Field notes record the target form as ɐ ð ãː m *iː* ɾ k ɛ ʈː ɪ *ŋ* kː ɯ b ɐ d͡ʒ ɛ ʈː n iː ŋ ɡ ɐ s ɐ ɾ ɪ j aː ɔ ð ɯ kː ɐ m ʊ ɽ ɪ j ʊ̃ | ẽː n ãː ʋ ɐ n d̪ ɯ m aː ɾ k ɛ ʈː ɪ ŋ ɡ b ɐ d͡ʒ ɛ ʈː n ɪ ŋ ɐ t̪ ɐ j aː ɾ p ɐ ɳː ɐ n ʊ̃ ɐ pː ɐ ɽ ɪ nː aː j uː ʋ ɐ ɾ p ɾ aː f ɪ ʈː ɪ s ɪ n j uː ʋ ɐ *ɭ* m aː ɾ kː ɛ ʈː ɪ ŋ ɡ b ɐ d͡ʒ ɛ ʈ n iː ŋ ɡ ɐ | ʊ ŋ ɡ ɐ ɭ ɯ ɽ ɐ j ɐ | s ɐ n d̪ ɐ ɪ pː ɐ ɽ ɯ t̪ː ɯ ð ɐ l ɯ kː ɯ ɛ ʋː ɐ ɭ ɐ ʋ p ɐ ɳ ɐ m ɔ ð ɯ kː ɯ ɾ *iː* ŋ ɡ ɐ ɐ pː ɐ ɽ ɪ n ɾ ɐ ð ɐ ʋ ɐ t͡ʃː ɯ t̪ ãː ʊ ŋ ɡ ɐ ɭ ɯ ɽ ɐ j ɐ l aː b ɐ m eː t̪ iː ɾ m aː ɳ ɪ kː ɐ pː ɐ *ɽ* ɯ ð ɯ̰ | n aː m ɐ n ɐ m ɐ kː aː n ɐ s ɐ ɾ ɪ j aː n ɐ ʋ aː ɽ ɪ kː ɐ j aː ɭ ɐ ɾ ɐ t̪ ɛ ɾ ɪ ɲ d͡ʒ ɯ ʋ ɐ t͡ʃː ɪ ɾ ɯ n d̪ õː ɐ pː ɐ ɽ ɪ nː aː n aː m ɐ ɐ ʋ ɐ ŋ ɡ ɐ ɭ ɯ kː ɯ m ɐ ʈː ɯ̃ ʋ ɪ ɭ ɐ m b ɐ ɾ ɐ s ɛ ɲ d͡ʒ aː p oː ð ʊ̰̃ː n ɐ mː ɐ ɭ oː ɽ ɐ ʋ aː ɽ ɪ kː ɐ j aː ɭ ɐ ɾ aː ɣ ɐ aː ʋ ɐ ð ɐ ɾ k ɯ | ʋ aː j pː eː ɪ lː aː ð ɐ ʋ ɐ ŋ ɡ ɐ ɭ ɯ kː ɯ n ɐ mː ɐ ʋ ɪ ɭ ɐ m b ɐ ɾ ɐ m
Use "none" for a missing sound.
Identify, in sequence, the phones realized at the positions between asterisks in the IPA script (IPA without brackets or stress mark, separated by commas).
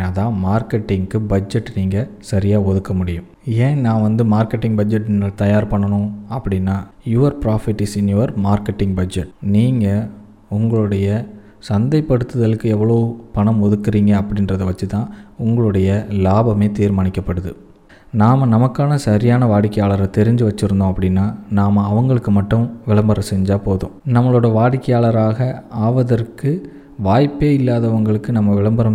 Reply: aː, ŋ, ɾ, iː, ɽ